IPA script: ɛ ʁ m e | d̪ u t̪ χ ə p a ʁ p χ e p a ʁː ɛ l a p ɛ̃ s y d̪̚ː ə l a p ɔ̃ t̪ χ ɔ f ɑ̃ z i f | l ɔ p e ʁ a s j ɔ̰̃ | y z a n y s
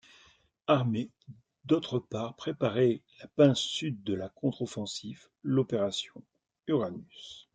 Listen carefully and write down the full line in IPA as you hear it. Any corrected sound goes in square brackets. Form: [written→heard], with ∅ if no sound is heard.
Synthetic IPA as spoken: [ɛ→a] ʁ m e | d̪ [u→o] t̪ χ ə p a ʁ p χ e p a [ʁː→ʁ] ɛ l a p ɛ̃ s y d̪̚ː ə l a [p→k] ɔ̃ t̪ χ ɔ f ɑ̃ [z→s] i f | l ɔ p e ʁ a s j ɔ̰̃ | y [z→ʁ] a n y s